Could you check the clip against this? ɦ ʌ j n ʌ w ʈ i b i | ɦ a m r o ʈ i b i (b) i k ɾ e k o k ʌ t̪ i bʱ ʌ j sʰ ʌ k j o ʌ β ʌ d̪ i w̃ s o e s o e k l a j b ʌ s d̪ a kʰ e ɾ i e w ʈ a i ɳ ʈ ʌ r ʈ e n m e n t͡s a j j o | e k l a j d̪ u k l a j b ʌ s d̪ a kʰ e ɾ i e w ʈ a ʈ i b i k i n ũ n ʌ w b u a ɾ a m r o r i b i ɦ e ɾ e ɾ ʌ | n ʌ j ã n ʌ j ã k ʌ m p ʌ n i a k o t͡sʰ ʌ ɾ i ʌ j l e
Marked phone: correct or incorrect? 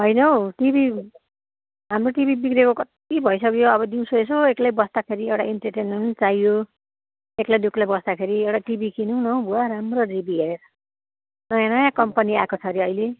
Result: correct